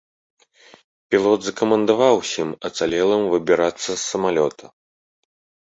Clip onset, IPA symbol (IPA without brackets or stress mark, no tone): pʲ